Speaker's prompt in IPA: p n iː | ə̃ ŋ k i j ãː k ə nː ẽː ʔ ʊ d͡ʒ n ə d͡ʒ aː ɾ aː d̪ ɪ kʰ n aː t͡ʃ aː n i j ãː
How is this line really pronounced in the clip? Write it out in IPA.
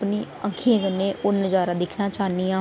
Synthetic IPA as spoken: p n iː | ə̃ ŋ kʰ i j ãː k ə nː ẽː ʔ ʊ n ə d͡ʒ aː ɾ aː d̪ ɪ kʰ n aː t͡ʃ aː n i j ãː